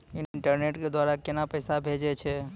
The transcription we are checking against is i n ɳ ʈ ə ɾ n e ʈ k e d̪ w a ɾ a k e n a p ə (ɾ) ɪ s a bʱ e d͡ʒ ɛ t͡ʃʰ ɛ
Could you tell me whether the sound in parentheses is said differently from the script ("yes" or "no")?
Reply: yes